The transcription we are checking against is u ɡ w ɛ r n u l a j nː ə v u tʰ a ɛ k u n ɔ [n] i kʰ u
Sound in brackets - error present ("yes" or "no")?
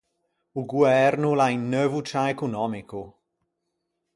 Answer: yes